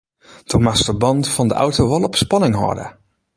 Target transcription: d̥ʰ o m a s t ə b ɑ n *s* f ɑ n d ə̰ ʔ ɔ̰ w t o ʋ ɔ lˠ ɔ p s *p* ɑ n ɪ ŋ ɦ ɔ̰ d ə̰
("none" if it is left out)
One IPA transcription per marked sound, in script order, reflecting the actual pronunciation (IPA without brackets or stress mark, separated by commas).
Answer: t, p